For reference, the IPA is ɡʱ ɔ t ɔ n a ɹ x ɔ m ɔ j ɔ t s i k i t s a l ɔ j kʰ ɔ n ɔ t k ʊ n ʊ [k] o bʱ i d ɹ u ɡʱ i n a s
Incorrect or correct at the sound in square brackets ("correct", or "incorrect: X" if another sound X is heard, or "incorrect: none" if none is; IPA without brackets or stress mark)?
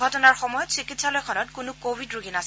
correct